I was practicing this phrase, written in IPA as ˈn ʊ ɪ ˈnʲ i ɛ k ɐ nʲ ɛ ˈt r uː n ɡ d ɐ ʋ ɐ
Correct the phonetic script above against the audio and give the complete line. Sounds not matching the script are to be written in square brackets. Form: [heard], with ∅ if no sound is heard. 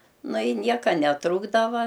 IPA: ˈn ʊ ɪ ˈnʲ i ɛ k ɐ nʲ ɛ ˈt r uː [∅] ɡ d ɐ ʋ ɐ